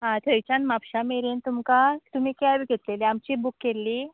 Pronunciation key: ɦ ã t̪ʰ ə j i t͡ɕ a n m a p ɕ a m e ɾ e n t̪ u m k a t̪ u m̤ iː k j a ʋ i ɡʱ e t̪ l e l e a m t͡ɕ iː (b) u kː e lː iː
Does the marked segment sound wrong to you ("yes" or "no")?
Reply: no